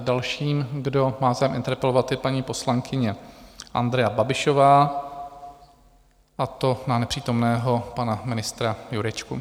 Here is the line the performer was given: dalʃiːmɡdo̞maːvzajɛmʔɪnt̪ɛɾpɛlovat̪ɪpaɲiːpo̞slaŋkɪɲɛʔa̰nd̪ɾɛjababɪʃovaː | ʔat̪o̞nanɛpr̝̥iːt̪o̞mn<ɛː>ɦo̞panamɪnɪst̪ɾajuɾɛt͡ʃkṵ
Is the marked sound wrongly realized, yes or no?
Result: no